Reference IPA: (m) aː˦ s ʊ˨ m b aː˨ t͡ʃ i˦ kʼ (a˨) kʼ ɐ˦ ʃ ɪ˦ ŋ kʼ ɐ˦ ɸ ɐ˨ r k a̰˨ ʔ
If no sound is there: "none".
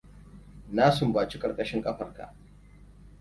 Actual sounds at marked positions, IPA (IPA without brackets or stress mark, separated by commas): n, ɐ˨